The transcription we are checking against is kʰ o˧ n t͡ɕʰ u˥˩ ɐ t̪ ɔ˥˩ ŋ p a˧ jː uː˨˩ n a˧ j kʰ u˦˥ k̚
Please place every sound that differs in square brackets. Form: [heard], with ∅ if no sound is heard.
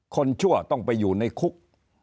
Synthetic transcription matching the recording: kʰ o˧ n t͡ɕʰ u˥˩ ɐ t̪ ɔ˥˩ ŋ p a˧ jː uː˨˩ n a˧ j kʰ u˦˥ k̚